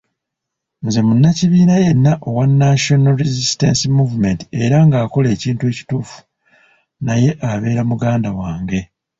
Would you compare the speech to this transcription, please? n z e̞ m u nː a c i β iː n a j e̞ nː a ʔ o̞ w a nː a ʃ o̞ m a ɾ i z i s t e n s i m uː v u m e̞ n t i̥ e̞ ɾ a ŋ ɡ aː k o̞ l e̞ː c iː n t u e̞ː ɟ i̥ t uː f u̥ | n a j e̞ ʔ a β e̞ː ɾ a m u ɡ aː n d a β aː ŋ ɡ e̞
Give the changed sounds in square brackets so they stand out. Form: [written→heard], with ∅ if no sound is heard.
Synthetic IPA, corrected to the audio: n z e̞ m u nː a c i β iː n a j e̞ nː a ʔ o̞ w a nː a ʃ o̞ [m→n] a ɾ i z i s t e n s i m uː v u m e̞ n t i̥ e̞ ɾ a ŋ ɡ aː k o̞ l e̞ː c iː n t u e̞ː [ɟ→c] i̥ t uː f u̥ | n a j e̞ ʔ a β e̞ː ɾ a m u ɡ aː n d a [β→w] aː ŋ ɡ e̞

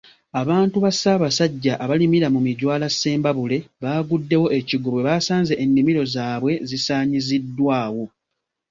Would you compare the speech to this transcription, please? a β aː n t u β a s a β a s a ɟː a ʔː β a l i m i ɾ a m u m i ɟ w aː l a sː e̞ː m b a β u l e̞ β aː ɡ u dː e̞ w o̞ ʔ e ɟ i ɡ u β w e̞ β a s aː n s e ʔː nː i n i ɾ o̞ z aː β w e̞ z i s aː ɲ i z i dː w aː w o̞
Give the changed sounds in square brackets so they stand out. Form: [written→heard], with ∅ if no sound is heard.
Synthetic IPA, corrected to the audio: a β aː n t u β a s a β a s a ɟː a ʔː β a l i m i ɾ a m u m i ɟ w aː l a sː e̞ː m b a β u l e̞ β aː ɡ u dː e̞ w o̞ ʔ e [ɟ→c] i ɡ u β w e̞ β a s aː n [s→z] e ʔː nː i [n→m] i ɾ o̞ z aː β w e̞ z i s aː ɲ i z i dː w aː w o̞

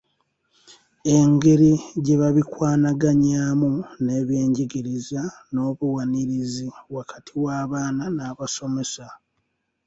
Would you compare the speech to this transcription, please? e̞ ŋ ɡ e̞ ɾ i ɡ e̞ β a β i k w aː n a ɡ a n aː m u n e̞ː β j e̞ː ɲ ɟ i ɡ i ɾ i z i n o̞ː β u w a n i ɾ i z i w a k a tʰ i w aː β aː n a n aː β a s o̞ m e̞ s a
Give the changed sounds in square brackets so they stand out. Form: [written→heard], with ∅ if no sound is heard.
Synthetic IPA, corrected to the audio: e̞ ŋ ɡ e̞ ɾ i [ɡ→ɟ] e̞ β a β i k w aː n a ɡ a [n→ɲ] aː m u n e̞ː β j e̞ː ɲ ɟ i ɡ i ɾ i z [i→a] n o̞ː β u w a n i ɾ i z i w a k a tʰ i w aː β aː n a n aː β a s o̞ m e̞ s a

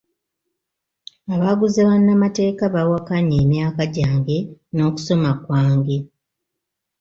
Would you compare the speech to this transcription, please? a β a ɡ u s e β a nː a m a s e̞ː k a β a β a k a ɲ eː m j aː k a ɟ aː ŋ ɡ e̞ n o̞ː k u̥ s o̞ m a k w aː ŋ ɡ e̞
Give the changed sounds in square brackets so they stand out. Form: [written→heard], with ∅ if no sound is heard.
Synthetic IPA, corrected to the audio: a β a ɡ u [s→z] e β a nː a m a [s→t] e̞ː k a β a [β→w] a k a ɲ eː m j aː k a ɟ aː ŋ ɡ e̞ n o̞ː k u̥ s o̞ m a k w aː ŋ ɡ e̞

